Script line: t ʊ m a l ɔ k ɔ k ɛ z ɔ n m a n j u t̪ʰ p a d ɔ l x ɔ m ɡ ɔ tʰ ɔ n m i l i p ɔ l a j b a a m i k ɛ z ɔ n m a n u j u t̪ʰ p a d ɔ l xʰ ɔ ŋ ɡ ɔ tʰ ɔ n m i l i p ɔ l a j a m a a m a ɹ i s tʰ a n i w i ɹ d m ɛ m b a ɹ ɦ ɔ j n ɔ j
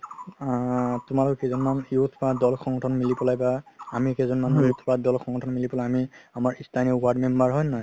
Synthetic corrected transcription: t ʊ m a l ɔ k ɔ k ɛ z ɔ n m a n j u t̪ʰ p a d ɔ l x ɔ ŋ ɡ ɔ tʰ ɔ n m i l i p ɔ l a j b a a m i k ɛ z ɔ n m a n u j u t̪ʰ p a d ɔ l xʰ ɔ ŋ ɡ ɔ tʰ ɔ n m i l i p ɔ l a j a m i a m a ɹ i s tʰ a n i w a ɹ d m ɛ m b a ɹ ɦ ɔ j n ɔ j